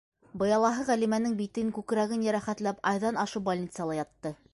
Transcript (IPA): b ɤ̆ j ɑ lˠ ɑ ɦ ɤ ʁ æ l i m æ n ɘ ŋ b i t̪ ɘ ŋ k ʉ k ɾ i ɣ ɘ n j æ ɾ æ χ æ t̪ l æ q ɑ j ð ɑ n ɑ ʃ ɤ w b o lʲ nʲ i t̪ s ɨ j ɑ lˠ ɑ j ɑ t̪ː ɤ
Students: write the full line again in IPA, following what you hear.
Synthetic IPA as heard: b ɤ̆ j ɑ lˠ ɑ ɦ ɤ ʁ æ l i m æ n ɘ ŋ b i t̪ ɘ ŋ k ʉ k ɾ æ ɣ ɘ n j æ ɾ æ χ æ t̪ l æ p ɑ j ð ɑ n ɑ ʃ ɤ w b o lʲ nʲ i t̪ s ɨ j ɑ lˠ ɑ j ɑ t̪ː ɤ